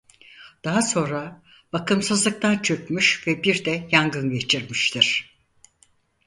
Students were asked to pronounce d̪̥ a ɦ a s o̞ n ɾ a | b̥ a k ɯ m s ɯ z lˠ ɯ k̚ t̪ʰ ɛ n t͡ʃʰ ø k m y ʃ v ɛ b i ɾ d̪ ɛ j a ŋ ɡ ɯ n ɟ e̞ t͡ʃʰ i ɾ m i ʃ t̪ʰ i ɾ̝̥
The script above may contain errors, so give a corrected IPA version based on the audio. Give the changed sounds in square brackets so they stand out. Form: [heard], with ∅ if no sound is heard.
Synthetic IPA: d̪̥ a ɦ a s o̞ n ɾ a | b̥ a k ɯ m s ɯ z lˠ ɯ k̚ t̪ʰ [a] n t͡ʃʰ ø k m y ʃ v ɛ b i ɾ d̪ ɛ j a ŋ ɡ ɯ n ɟ e̞ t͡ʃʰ i ɾ m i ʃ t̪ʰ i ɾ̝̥